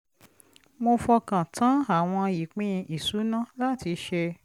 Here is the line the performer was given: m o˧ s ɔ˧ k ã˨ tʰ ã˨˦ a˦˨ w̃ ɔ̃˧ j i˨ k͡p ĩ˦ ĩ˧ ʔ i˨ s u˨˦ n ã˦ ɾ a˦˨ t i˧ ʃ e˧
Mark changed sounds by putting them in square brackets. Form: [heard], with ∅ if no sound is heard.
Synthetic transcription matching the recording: m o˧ [f] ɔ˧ k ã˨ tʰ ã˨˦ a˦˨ w̃ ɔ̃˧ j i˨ k͡p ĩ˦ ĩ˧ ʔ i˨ s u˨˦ n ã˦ [l] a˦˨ t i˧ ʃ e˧